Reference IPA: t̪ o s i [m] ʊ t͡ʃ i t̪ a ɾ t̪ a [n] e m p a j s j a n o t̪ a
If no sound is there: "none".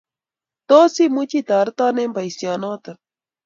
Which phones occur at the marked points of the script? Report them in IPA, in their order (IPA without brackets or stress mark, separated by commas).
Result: m, n